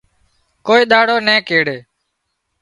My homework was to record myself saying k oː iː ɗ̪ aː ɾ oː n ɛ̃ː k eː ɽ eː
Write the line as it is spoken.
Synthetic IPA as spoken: k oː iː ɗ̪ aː ɽ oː n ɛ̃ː k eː ɽ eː